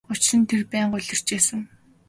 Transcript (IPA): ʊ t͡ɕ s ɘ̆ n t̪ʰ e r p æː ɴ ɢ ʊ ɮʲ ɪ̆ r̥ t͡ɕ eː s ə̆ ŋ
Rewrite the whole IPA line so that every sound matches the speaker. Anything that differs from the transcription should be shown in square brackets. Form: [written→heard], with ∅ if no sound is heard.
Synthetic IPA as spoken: ʊ t͡ɕ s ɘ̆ n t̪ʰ e r p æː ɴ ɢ ʊ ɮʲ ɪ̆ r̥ t͡ɕ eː s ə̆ ŋ